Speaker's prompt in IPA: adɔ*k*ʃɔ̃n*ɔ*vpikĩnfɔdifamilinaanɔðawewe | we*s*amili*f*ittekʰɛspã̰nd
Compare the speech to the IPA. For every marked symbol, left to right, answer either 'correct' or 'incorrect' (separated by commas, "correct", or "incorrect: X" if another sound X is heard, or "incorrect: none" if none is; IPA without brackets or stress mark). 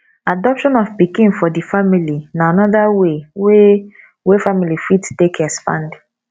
incorrect: p, correct, incorrect: f, correct